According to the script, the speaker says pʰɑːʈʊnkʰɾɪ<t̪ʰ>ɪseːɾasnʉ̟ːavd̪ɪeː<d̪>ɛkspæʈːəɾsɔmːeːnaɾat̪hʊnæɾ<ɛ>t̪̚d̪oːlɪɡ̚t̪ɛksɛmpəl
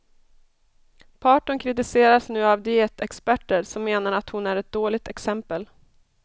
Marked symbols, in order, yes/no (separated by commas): no, no, yes